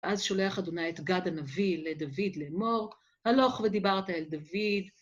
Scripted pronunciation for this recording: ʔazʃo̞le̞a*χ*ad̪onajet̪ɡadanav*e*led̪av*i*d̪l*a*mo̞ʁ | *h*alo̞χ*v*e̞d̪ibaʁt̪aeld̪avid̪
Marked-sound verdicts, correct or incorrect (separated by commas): correct, incorrect, correct, incorrect, correct, correct